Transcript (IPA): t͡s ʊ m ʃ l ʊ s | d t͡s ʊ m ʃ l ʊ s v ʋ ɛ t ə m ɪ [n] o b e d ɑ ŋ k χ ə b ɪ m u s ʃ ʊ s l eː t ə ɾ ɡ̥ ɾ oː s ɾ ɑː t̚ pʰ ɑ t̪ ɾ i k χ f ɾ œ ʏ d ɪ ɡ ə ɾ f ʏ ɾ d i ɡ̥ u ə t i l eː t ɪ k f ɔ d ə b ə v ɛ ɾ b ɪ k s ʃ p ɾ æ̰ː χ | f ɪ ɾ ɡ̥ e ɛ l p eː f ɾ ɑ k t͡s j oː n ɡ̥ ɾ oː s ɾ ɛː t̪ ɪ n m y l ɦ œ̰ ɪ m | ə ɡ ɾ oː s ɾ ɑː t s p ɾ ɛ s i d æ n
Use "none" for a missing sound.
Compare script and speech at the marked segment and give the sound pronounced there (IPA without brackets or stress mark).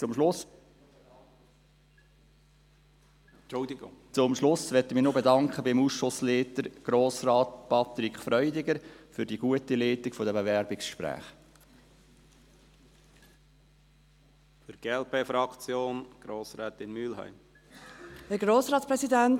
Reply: n